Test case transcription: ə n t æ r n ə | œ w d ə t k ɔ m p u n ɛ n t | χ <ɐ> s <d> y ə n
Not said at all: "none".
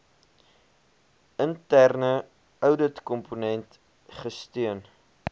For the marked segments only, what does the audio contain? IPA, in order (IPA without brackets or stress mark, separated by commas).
ə, t